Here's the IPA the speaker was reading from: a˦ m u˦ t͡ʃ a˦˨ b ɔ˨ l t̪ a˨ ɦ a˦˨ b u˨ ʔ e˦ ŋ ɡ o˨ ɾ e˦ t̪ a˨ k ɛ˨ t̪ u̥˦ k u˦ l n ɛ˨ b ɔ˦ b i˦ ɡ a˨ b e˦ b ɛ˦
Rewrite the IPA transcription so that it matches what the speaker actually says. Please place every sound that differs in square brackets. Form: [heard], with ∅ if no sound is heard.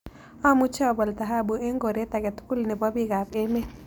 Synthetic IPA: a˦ m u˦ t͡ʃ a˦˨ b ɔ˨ l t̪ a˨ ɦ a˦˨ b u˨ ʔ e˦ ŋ ɡ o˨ ɾ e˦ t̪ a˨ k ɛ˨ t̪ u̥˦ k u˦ l n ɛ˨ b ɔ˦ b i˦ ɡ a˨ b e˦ [m] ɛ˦